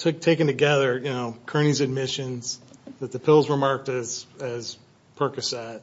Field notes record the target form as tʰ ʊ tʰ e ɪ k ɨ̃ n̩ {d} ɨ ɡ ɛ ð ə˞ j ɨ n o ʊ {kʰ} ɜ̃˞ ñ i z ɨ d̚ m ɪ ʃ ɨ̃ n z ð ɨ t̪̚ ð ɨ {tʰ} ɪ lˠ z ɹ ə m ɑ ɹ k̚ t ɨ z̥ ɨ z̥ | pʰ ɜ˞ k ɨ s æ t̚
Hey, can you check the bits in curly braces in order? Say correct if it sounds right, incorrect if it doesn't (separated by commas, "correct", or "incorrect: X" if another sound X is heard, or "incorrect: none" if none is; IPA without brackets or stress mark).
incorrect: t, correct, incorrect: pʰ